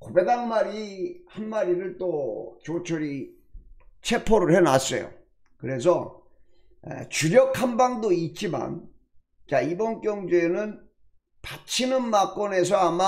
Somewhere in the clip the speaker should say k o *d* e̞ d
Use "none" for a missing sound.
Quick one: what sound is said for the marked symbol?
b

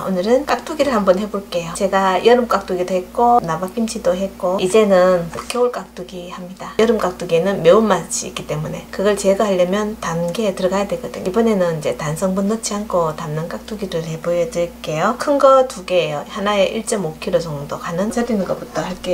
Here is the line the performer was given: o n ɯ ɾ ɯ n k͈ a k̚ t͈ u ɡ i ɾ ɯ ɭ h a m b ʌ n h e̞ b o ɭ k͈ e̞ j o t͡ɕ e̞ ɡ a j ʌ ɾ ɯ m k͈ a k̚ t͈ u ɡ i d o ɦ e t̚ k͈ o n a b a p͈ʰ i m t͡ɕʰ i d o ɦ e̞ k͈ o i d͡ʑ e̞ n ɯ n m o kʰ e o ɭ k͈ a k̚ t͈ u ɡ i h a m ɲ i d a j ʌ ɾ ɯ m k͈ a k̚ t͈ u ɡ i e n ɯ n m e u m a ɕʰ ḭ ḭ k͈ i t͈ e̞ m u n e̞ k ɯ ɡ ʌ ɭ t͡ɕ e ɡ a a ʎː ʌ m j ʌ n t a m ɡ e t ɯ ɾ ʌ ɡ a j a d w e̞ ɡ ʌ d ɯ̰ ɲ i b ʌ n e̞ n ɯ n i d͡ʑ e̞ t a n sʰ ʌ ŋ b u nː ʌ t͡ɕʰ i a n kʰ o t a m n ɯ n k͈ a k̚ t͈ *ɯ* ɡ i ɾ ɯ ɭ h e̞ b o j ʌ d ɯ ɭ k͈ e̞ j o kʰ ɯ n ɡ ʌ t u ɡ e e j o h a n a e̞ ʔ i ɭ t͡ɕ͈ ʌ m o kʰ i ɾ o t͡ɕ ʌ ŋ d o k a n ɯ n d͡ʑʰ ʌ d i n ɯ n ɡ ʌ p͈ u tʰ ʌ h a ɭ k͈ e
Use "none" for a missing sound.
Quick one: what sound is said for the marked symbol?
u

